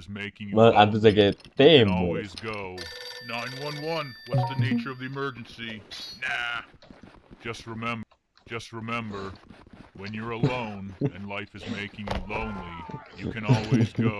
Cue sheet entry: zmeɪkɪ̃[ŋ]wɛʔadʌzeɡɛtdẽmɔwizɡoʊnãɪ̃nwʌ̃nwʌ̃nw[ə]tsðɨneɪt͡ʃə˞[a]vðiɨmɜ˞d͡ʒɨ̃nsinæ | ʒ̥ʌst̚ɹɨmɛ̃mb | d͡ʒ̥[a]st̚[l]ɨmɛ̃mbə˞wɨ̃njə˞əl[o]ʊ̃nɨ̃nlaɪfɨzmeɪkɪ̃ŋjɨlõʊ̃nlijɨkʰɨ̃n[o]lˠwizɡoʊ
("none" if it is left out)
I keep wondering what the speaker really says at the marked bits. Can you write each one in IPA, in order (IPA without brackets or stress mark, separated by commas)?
ŋ, ʌ, ʌ, ʌ, ɹ, õ, ɔ